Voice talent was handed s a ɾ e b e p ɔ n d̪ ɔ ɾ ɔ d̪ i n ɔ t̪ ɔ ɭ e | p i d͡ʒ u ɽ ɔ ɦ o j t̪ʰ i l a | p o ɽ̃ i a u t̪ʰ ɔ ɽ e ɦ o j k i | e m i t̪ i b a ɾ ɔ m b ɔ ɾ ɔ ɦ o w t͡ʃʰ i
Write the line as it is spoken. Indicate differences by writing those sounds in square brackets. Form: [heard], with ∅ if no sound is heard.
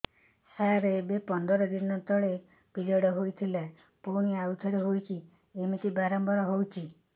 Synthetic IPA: s a ɾ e b e p ɔ n d̪ ɔ ɾ ɔ d̪ i n ɔ t̪ ɔ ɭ e | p i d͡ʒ [ɔ] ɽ ɔ ɦ o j t̪ʰ i l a | p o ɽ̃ i a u t̪ʰ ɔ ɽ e ɦ o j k i | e m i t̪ i b a ɾ ɔ m b ɔ ɾ ɔ ɦ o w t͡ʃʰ i